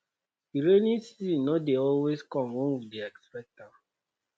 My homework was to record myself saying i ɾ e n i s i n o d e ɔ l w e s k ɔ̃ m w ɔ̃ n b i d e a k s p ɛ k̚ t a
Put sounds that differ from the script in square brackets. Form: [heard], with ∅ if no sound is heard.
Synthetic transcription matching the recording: i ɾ e n i s i n o d e ɔ l w e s k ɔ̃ m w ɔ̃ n [w] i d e [ɛ] k s p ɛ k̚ t a